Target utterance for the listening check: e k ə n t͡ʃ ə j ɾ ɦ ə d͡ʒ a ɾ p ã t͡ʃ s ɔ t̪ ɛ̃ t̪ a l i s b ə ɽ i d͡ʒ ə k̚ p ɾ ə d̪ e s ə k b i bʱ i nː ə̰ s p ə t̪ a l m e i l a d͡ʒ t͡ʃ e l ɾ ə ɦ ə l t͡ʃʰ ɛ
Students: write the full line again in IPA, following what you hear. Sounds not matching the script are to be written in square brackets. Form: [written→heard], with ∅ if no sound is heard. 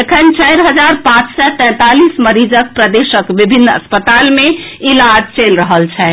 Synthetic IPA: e [k→kʰ] ə n t͡ʃ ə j ɾ ɦ ə d͡ʒ a ɾ p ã t͡ʃ s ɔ t̪ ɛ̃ t̪ a l i s [b→m] ə [ɽ→ɾ] i d͡ʒ ə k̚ p ɾ ə d̪ e s ə k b i bʱ i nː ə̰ s p ə t̪ a l m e i l a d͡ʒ t͡ʃ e l ɾ ə ɦ ə l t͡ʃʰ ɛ